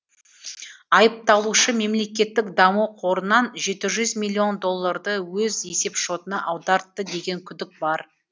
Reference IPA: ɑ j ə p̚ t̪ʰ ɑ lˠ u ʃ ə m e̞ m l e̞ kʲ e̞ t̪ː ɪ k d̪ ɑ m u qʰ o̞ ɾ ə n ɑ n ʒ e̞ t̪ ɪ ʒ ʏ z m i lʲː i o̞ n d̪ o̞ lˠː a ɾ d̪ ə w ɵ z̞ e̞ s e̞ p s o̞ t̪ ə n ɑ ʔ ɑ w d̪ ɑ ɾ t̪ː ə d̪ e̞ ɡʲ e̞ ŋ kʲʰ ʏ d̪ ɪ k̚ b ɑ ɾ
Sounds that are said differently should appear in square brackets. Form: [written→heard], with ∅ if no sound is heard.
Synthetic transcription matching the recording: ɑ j ə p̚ [t̪ʰ→t̪] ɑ lˠ u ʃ ə m e̞ m l e̞ kʲ e̞ t̪ː ɪ k d̪ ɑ m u qʰ o̞ ɾ ə n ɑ n ʒ e̞ t̪ ɪ ʒ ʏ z m i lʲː i o̞ n d̪ o̞ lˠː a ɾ d̪ ə w ɵ z̞ e̞ s e̞ p [s→ʃ] o̞ t̪ ə n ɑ ʔ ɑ w d̪ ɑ ɾ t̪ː ə d̪ e̞ ɡʲ e̞ ŋ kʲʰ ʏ d̪ ɪ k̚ b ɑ ɾ